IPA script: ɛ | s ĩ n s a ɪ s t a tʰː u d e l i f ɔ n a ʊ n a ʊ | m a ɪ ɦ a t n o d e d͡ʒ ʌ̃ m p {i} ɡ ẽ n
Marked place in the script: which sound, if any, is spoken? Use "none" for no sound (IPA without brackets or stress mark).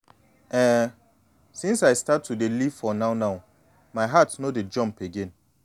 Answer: e